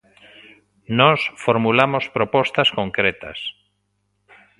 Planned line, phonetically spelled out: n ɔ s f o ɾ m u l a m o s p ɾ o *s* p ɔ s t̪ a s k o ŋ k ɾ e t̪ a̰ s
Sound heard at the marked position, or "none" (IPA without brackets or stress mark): none